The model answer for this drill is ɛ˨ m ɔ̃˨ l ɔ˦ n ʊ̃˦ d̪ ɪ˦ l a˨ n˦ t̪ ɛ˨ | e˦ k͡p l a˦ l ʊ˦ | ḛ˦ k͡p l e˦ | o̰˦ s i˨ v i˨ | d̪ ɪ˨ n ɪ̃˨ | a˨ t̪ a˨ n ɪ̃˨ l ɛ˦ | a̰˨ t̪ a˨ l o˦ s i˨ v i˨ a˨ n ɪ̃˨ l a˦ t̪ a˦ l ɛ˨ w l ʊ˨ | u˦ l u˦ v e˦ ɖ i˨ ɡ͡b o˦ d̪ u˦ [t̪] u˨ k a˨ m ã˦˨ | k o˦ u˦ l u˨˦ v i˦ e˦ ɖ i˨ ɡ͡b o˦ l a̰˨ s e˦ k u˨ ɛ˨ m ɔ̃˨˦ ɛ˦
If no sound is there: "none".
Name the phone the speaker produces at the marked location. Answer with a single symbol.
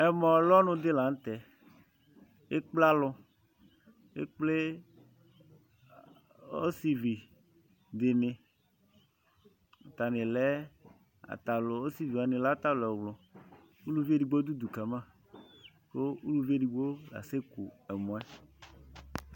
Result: d̪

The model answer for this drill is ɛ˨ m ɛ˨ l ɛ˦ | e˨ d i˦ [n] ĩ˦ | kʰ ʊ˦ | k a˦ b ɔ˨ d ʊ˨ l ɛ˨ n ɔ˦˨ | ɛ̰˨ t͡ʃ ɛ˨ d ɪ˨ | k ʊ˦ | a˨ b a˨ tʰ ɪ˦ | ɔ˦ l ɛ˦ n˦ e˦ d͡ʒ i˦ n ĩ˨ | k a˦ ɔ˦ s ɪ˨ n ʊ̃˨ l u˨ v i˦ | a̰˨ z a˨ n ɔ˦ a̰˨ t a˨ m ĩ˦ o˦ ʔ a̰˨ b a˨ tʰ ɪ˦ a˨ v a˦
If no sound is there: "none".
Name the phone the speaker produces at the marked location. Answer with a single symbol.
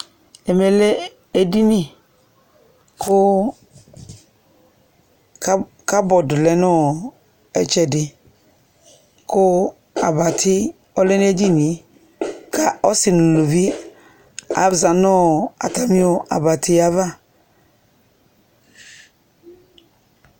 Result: n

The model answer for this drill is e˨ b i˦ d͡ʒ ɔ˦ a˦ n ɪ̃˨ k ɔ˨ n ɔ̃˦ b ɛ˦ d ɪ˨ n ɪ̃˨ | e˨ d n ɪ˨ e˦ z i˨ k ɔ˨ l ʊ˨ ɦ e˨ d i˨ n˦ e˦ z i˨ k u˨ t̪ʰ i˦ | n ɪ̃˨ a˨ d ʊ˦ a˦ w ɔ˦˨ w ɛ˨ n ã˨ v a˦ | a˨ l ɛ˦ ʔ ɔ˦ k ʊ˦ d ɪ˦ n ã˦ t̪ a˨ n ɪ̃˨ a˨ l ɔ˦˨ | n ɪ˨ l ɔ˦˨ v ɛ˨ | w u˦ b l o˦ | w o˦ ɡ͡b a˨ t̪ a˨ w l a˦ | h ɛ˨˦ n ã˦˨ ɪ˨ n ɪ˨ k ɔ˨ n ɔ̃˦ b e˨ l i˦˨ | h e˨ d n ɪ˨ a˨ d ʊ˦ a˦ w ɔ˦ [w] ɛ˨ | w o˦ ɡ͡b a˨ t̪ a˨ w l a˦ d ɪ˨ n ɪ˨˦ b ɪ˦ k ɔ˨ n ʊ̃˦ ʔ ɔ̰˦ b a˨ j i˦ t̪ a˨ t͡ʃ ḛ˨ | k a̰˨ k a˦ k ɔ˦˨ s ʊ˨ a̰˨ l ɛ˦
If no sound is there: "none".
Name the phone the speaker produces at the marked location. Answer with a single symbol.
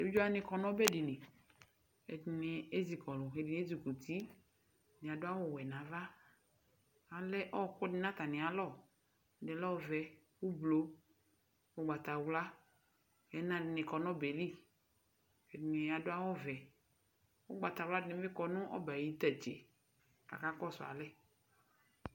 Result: v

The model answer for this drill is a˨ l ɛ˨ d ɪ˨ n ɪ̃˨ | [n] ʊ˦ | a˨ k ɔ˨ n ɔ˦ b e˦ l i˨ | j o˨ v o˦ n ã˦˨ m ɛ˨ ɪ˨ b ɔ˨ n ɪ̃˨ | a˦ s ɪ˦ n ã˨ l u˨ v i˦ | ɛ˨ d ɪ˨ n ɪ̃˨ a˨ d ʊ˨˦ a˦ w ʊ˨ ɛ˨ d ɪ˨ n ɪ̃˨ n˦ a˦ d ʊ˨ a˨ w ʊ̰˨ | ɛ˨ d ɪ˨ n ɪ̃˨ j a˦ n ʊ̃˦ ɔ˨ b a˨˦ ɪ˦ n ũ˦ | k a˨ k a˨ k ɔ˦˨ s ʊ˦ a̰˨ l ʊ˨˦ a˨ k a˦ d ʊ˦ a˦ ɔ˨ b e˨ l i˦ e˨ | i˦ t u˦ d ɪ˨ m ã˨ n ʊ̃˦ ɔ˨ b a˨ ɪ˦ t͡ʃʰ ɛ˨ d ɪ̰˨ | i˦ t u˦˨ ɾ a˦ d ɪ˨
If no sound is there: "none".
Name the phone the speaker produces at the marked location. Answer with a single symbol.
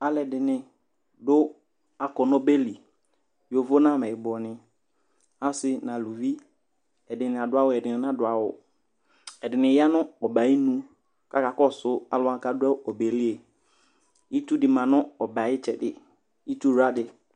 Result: d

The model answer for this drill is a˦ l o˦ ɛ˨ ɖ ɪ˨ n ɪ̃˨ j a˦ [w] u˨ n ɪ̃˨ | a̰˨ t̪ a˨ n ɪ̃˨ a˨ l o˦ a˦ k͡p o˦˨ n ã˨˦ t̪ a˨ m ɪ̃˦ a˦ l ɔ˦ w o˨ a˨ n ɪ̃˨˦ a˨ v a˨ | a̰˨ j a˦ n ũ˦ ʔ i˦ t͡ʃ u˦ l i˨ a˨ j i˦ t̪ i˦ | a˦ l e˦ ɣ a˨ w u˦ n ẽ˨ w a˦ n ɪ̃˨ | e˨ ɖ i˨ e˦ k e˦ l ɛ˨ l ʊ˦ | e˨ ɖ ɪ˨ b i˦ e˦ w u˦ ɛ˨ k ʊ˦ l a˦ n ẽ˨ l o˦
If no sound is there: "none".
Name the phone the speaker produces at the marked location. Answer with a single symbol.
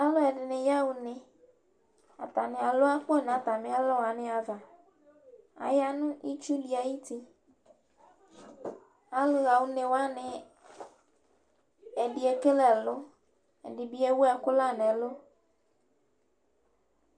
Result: w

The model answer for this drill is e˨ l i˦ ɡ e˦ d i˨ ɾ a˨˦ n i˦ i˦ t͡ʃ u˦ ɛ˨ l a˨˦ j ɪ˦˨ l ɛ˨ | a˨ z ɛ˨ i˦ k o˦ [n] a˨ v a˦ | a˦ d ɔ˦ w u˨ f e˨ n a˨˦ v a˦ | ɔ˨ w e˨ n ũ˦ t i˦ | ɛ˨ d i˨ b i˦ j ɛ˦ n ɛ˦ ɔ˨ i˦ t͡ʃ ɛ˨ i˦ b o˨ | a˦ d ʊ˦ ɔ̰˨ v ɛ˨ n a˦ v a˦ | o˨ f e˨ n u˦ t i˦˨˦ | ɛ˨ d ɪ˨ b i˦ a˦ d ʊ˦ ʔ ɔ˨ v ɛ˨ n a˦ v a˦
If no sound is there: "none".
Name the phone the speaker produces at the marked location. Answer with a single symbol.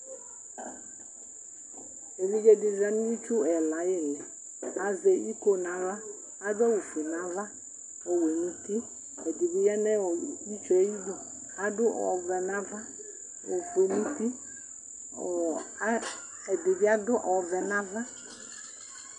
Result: n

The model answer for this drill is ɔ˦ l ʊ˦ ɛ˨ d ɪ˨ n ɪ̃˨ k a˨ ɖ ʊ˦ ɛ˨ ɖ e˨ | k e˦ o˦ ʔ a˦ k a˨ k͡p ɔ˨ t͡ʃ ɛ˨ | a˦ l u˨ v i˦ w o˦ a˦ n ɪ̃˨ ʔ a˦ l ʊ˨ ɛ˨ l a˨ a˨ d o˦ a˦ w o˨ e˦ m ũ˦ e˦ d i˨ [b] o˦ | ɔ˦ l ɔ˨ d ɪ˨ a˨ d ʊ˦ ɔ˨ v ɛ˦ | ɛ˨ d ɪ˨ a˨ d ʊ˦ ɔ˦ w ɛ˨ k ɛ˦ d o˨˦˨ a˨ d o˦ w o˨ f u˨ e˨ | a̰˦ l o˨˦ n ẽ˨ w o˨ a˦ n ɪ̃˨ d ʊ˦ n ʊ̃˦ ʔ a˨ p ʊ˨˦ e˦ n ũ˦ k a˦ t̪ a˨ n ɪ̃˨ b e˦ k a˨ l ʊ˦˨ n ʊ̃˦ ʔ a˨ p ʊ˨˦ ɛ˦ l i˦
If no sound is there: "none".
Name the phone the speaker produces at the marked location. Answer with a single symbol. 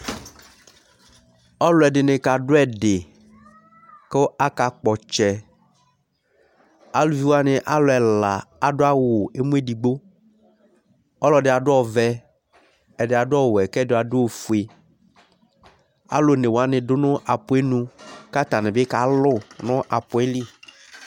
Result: ɡ͡b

